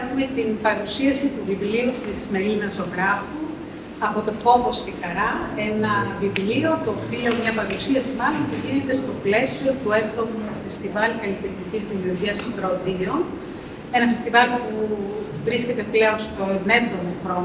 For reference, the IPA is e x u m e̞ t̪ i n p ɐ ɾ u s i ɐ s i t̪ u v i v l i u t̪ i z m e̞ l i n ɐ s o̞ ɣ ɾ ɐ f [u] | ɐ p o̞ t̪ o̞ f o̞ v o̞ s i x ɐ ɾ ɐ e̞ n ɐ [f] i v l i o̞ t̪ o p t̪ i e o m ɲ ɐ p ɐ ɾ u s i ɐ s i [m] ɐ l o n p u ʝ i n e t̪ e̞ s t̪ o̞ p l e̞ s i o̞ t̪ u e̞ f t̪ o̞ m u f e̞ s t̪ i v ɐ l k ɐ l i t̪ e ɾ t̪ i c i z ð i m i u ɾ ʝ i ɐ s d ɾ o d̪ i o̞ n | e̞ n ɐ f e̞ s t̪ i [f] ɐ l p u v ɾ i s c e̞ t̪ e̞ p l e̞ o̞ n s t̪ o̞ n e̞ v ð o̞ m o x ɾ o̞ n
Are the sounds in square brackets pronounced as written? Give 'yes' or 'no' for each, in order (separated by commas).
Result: yes, no, yes, no